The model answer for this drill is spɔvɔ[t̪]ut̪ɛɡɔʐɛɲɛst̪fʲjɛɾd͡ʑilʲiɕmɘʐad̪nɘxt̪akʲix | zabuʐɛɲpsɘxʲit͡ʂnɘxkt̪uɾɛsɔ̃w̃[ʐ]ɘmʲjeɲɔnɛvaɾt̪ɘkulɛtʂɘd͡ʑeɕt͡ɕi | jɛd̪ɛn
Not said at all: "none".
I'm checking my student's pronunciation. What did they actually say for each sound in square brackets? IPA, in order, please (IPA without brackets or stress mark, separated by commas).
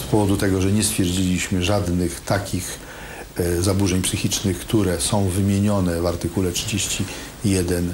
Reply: d̪, v